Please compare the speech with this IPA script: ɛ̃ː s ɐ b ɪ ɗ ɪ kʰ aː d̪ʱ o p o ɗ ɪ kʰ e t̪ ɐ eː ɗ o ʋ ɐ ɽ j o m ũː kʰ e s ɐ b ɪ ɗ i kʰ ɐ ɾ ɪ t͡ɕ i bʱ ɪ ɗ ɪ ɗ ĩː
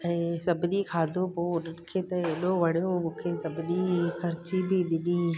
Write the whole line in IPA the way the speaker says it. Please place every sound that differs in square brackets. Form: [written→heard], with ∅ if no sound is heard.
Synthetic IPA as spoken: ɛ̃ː s ɐ b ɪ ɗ [ɪ→i] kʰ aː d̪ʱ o p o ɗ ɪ kʰ e t̪ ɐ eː ɗ o ʋ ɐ ɽ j o m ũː kʰ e s ɐ b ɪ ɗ i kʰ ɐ ɾ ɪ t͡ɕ i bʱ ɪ ɗ ɪ ɗ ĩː